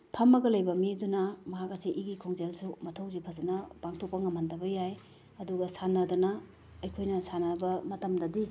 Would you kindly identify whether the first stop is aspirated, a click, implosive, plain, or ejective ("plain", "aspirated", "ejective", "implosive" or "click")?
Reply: aspirated